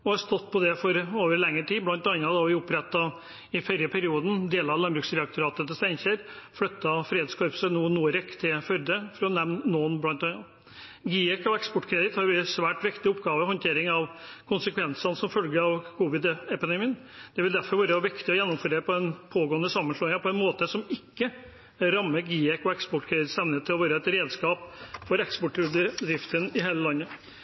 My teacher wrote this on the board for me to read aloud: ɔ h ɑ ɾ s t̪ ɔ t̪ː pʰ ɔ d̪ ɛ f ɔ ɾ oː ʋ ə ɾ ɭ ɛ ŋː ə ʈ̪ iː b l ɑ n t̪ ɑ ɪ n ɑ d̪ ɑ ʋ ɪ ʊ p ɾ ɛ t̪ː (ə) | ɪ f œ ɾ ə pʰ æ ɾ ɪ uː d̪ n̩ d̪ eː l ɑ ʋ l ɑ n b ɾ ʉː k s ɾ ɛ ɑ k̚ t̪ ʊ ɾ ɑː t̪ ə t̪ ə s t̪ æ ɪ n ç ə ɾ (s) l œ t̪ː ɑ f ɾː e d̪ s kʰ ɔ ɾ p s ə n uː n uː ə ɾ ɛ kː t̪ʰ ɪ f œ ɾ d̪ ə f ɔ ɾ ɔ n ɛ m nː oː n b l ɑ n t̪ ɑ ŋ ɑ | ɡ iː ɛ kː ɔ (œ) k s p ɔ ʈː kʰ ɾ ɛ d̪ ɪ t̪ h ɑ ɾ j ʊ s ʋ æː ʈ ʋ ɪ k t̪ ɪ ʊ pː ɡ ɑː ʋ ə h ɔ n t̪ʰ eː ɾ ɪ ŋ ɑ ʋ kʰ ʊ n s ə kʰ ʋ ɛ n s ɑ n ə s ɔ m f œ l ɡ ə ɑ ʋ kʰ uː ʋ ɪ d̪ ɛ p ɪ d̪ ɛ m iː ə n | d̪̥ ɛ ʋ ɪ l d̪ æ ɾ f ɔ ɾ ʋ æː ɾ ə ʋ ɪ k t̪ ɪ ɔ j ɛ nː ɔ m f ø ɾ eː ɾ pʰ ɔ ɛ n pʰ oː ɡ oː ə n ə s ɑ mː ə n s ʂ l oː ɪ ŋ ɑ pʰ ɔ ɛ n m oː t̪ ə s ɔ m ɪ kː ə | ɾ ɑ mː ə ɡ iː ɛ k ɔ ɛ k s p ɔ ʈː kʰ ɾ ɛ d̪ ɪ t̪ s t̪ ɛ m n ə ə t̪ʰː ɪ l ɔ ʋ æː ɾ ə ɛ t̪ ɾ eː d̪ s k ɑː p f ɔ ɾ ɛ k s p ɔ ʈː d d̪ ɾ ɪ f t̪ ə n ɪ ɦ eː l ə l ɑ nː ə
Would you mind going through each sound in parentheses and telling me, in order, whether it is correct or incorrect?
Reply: incorrect: ɑ, incorrect: f, incorrect: ɛ

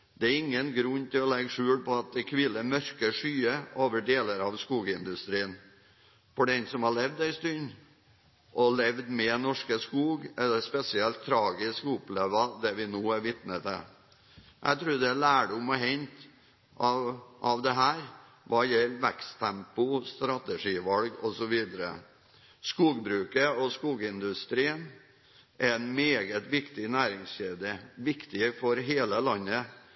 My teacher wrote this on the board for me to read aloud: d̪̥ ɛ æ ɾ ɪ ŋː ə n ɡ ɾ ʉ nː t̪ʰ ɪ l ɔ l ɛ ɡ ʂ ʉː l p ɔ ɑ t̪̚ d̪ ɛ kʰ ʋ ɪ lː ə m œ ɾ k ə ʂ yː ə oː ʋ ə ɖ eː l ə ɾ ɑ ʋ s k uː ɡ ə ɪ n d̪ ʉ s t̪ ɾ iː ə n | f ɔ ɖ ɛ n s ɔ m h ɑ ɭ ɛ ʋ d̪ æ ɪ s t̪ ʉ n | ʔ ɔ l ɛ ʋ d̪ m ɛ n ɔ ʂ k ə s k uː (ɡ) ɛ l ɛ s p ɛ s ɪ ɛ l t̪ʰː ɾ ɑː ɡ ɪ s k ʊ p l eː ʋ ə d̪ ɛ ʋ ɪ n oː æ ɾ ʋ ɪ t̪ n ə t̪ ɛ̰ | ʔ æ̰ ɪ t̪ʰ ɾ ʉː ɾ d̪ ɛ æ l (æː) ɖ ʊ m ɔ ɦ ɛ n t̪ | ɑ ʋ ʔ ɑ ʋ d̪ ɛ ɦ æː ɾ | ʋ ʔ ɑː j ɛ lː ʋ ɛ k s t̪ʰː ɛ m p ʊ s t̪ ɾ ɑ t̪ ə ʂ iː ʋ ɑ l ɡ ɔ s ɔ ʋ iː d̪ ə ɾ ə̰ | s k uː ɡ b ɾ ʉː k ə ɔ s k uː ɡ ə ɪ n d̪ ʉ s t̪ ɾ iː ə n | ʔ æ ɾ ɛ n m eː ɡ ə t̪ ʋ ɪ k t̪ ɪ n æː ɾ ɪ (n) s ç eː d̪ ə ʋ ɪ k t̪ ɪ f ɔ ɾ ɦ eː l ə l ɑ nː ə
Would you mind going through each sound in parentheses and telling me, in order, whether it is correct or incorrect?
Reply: correct, correct, incorrect: ŋ

